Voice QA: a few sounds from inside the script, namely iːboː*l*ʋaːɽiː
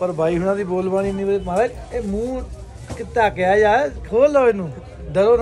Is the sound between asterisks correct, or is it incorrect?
correct